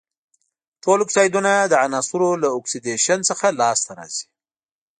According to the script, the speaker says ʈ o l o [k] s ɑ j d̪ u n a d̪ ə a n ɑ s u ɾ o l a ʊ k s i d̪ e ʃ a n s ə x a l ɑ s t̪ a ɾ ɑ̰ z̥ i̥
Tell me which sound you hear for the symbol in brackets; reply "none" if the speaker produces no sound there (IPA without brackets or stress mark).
k